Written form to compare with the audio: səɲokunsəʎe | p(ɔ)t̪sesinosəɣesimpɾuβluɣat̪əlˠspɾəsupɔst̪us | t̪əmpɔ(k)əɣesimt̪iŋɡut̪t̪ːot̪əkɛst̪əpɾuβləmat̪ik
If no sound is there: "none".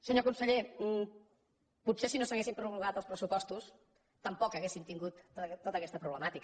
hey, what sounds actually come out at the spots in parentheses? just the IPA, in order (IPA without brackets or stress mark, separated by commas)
u, k